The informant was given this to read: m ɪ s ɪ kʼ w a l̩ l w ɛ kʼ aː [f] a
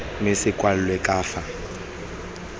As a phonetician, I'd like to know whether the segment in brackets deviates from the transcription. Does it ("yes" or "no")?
no